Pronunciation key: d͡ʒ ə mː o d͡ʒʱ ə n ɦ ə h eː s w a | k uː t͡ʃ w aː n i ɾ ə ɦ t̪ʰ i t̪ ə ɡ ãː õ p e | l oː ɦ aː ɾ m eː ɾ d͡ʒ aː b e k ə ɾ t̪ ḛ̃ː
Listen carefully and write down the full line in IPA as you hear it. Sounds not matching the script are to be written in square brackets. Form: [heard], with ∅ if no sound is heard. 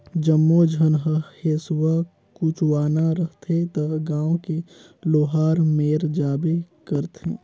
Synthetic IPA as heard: d͡ʒ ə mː o d͡ʒʱ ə n ɦ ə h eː s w a | k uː t͡ʃ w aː n [a] ɾ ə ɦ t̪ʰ [e] t̪ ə ɡ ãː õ [k] e | l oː ɦ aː ɾ m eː ɾ d͡ʒ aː b e k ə ɾ t̪ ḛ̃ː